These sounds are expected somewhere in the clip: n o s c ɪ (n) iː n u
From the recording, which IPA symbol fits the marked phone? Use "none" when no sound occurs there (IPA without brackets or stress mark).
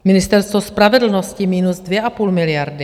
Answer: m